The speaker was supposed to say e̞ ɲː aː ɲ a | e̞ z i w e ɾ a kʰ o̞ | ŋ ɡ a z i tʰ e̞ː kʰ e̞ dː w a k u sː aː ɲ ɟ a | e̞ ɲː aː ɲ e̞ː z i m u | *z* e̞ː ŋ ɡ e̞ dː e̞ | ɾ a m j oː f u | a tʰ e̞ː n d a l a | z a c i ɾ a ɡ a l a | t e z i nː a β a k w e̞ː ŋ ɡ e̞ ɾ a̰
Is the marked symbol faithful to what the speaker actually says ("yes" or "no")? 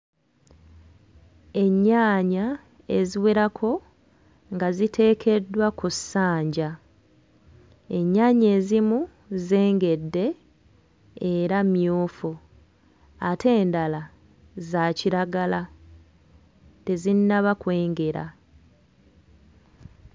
yes